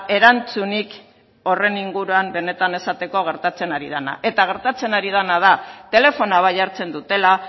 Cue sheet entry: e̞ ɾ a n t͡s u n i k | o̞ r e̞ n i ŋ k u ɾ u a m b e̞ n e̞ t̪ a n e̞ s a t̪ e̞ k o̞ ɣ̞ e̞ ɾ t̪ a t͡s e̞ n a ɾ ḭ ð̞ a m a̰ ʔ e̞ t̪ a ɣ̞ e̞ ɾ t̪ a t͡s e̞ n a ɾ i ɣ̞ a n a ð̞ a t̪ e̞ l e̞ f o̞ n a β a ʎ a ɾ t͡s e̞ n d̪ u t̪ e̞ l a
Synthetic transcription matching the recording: e̞ ɾ a n t͡s u n i k | o̞ r e̞ n i ŋ ɡ u ɾ u a m b e̞ n e̞ t̪ a n e̞ s a t̪ e̞ k o̞ ɣ̞ e̞ ɾ t̪ a t͡s e̞ n a ɾ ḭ ð̞ a n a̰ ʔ e̞ t̪ a ɣ̞ e̞ ɾ t̪ a t͡s e̞ n a ɾ i ð̞ a n a ð̞ a t̪ e̞ l e̞ f o̞ n a β a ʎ a ɾ t͡s e̞ n d̪ u t̪ e̞ l a